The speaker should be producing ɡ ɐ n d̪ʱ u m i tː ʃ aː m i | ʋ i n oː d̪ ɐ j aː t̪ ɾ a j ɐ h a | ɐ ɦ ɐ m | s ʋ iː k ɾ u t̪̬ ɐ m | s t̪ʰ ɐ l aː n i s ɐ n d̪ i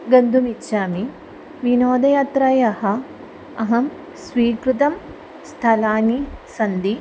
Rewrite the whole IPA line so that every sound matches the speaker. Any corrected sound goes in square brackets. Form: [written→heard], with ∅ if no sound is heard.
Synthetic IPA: ɡ ɐ n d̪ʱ u m i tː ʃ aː m i | ʋ i n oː d̪ ɐ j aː t̪ ɾ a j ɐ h [a→ɐ] | ɐ ɦ ɐ m | s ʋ iː k ɾ u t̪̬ ɐ m | s t̪ʰ ɐ l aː n i s ɐ n d̪ i